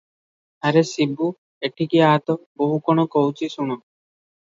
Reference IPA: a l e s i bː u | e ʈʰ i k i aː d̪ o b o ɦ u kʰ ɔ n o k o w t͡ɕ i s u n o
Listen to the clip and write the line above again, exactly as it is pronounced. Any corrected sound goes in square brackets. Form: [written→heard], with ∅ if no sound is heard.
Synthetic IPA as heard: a [l→ɾ] e s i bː u | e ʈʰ i k i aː [d̪→t̪] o b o ɦ u [kʰ→k] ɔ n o k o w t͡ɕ i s u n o